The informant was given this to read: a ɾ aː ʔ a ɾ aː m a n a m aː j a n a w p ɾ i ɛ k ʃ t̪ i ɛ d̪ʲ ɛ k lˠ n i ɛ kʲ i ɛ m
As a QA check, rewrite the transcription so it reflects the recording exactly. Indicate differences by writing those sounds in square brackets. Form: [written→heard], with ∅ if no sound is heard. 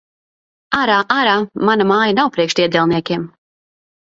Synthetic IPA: a ɾ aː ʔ a ɾ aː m a n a m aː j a n a w p ɾ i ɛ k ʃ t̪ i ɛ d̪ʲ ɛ [k→∅] lˠ n i ɛ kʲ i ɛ m